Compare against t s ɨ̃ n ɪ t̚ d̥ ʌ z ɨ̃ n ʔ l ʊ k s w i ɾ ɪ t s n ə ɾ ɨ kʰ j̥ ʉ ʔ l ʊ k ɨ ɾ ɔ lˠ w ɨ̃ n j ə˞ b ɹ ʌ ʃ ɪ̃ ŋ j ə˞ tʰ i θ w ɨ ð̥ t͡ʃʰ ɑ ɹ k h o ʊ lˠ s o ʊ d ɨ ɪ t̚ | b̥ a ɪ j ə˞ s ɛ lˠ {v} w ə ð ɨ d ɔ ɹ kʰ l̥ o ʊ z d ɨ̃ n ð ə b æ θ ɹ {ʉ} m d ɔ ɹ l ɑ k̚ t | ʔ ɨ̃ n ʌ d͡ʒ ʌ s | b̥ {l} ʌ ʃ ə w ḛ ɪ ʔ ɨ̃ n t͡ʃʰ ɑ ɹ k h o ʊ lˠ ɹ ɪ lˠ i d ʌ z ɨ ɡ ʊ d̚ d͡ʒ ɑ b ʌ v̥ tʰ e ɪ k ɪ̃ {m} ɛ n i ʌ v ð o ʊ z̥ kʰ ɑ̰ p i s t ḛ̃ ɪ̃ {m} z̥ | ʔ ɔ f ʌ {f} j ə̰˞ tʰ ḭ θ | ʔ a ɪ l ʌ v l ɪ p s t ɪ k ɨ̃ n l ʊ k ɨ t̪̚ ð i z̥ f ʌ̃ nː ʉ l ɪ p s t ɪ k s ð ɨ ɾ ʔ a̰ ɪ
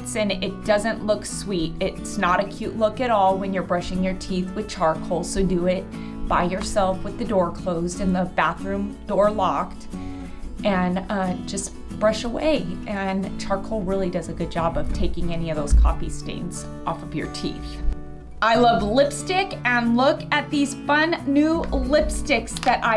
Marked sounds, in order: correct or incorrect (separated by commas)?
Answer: incorrect, incorrect, incorrect, incorrect, incorrect, incorrect